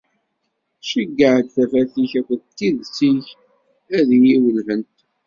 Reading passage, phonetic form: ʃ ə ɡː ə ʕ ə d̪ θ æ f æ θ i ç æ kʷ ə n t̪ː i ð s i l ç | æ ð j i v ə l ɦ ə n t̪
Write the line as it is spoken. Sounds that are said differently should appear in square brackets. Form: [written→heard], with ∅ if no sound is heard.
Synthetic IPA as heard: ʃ ə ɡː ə ʕ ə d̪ θ æ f æ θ i ç æ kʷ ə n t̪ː i ð s i [l→∅] ç | æ ð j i [v→w] ə l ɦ ə n t̪